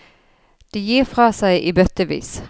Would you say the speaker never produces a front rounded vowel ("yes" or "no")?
no